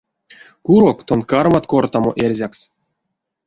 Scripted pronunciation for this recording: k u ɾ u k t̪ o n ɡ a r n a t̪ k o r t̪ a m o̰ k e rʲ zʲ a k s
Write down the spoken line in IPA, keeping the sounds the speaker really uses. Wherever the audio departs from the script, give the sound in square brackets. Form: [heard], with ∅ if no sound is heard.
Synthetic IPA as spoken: k u ɾ [o] k t̪ o n [k] a r [m] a t̪ k o r t̪ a m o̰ [ʔ] e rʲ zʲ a k s